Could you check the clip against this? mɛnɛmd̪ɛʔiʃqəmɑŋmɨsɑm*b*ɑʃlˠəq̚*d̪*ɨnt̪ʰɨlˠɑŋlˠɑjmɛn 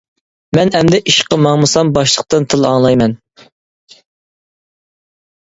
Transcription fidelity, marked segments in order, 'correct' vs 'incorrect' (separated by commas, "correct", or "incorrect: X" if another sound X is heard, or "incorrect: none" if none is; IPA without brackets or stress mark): correct, incorrect: t̪